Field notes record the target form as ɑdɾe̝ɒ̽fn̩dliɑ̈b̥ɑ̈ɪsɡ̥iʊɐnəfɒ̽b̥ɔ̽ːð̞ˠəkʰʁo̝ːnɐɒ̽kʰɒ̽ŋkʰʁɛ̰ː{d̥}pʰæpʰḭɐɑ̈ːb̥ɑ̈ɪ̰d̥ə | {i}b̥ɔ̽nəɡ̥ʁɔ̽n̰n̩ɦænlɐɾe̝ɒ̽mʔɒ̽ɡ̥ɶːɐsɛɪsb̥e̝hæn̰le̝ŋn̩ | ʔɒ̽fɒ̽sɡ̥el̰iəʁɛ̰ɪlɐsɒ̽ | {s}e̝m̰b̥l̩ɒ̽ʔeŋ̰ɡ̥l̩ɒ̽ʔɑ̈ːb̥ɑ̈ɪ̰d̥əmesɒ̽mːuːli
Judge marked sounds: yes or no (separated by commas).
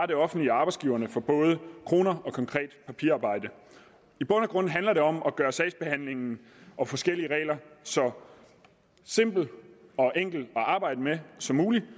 yes, yes, yes